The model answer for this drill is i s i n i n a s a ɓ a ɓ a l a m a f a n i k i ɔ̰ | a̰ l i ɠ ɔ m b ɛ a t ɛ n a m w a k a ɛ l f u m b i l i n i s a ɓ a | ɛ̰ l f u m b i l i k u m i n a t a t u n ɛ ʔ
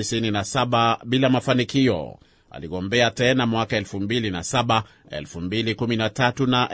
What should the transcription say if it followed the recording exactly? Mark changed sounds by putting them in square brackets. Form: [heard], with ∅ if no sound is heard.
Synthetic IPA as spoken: i s i n i n a s a ɓ a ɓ [i] l a m a f a n i k i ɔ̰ | a̰ l i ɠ ɔ m b ɛ a t ɛ n a m w a k a ɛ l f u m b i l i n [a] s a ɓ a | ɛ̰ l f u m b i l i k u m i n a t a t u n [a] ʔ